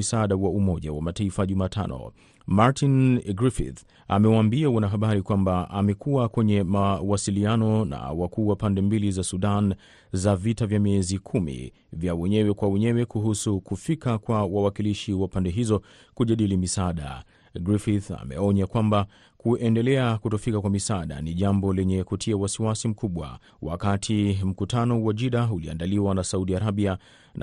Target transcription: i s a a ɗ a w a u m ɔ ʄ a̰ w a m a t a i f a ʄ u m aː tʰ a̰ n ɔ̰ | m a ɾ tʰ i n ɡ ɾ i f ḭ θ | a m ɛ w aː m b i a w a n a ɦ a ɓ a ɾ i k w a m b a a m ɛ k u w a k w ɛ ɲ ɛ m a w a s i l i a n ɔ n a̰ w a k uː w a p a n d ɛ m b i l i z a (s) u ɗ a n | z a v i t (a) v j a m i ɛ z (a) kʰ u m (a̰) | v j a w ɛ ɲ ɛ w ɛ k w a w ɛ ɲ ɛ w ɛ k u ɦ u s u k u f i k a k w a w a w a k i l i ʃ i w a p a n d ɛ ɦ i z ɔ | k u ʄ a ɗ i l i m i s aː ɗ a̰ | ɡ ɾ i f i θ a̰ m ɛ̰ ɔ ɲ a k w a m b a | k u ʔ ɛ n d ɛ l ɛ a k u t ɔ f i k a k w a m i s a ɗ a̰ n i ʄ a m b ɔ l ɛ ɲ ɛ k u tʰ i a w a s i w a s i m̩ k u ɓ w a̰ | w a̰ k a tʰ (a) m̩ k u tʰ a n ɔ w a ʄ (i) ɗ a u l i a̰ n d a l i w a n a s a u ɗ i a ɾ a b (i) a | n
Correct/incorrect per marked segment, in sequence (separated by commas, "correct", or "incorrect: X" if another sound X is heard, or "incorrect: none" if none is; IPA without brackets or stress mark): correct, correct, incorrect: i, incorrect: ḭ, incorrect: i, correct, correct